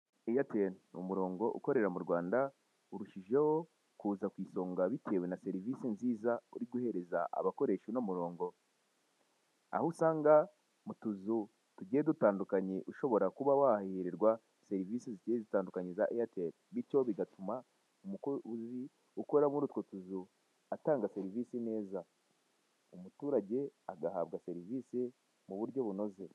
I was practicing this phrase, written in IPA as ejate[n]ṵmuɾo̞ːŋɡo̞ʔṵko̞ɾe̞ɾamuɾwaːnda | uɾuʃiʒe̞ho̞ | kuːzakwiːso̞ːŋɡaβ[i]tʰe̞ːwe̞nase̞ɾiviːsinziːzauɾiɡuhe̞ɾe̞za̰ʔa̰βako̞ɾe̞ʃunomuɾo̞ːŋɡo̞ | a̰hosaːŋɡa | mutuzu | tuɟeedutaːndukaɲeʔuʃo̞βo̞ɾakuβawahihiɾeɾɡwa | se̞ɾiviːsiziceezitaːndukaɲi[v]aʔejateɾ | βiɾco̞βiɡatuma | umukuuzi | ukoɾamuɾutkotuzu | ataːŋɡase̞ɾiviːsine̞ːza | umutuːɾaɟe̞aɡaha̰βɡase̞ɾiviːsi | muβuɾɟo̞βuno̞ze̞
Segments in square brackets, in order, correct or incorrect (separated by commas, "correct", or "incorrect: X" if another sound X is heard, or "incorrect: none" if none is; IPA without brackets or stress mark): correct, correct, incorrect: z